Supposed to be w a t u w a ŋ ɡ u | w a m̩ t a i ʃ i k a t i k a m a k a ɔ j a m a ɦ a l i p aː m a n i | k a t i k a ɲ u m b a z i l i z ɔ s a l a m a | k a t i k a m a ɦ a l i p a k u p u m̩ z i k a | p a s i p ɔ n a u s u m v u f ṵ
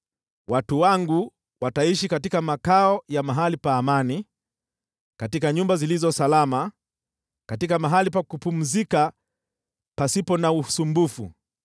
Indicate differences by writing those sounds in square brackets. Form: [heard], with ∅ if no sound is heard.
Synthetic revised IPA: w a t u w a ŋ ɡ u | w a [∅] t a i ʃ i k a t i k a m a k a ɔ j a m a ɦ a l i p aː m a n i | k a t i k a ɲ u m b a z i l i z ɔ s a l a m a | k a t i k a m a ɦ a l i p a k u p u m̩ z i k a | p a s i p ɔ n a u s u m [b] u f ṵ